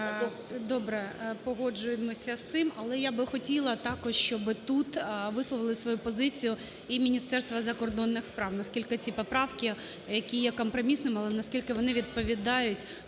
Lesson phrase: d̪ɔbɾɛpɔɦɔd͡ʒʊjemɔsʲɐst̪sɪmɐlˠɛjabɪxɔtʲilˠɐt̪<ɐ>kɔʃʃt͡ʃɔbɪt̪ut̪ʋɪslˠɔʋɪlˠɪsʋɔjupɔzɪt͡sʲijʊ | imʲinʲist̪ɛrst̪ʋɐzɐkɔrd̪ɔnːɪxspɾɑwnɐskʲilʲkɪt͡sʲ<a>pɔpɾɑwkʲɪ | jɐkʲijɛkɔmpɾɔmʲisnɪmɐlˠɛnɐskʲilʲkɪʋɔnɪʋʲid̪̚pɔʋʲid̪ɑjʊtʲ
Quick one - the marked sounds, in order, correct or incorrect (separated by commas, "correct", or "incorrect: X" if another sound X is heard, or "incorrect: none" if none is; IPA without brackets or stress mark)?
incorrect: ɑ, incorrect: i